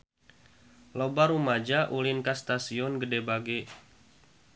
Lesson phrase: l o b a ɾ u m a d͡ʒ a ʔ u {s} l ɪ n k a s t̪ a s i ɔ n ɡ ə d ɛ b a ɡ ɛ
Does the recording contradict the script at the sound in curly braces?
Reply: yes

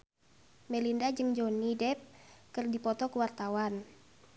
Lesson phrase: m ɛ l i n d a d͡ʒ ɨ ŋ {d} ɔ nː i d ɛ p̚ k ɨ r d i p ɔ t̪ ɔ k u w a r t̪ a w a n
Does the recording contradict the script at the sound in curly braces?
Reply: yes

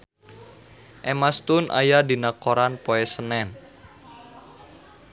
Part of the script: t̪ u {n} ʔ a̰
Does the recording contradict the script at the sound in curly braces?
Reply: no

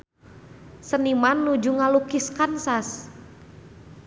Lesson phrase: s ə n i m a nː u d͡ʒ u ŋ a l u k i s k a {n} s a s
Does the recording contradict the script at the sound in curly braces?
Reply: no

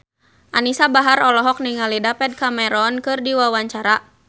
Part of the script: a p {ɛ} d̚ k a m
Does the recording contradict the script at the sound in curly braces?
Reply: no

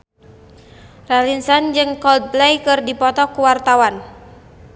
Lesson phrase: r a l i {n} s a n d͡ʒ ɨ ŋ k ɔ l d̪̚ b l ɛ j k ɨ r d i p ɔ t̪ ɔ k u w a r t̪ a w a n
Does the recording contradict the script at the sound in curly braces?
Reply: no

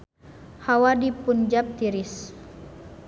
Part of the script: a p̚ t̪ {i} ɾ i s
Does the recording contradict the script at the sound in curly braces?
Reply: no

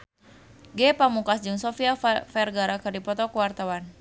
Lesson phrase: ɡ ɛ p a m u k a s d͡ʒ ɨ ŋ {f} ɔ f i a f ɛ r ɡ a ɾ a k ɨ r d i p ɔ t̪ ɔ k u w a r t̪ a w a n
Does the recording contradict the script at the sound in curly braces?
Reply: yes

